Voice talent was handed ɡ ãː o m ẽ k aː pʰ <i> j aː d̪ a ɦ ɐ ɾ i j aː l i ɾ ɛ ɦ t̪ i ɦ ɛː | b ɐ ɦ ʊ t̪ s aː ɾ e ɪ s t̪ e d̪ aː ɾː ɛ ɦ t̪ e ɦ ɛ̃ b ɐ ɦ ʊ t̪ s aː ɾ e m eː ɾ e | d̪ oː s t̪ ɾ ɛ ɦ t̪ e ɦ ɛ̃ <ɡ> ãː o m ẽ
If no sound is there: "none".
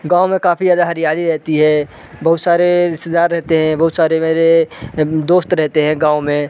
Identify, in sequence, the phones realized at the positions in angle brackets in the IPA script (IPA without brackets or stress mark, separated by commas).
i, ɡ